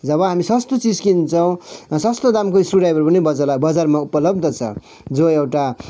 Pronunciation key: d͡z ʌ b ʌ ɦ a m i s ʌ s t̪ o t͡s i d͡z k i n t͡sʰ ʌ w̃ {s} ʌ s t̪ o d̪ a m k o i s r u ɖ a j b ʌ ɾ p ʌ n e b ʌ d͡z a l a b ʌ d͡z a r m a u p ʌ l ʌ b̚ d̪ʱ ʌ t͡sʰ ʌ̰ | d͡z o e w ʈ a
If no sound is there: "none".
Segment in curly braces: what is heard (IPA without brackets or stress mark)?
s